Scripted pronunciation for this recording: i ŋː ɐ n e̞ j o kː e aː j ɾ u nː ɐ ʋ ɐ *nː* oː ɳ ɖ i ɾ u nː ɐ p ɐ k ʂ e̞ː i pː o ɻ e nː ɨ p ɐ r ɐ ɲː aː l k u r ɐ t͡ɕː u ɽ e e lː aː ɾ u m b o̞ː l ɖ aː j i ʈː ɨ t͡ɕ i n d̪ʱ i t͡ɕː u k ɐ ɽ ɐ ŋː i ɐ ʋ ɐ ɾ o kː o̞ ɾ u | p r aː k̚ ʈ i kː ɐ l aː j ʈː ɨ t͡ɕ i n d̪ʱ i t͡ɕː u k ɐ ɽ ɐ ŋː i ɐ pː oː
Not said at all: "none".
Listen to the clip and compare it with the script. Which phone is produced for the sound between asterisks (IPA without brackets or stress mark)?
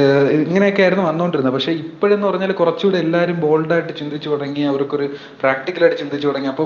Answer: nː